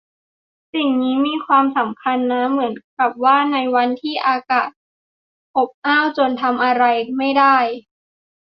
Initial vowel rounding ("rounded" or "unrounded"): unrounded